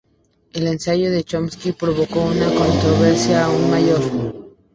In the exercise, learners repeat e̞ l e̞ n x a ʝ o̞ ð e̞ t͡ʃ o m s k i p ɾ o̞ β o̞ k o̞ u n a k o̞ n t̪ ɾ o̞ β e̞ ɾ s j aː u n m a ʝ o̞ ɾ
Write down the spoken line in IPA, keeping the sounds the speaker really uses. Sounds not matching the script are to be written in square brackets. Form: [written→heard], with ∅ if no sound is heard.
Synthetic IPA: e̞ l e̞ n [x→s] a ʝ o̞ ð e̞ t͡ʃ o m s k i p ɾ o̞ β o̞ k o̞ u n a k o̞ n t̪ ɾ o̞ β e̞ ɾ s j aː u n m a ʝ o̞ ɾ